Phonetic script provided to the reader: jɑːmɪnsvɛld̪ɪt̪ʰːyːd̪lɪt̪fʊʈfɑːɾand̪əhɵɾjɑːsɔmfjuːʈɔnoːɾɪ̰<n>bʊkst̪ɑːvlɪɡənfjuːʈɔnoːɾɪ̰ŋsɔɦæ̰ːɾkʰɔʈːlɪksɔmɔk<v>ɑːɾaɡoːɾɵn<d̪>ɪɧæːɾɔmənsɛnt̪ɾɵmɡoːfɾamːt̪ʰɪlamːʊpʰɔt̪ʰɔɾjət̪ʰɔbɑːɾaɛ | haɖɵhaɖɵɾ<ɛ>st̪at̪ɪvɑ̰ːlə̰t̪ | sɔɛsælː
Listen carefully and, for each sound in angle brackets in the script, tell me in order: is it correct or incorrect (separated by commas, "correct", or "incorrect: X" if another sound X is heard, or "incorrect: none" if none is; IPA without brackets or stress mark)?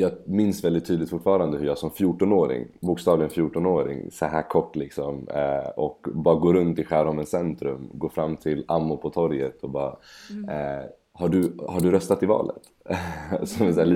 incorrect: ŋ, incorrect: b, incorrect: t̪, incorrect: œ